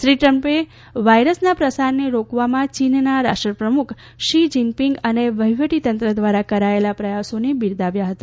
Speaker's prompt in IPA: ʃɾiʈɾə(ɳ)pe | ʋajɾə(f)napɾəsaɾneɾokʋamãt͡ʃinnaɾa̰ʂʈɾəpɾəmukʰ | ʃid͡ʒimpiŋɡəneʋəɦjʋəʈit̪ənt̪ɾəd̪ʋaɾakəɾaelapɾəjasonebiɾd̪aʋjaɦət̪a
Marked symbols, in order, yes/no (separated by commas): no, no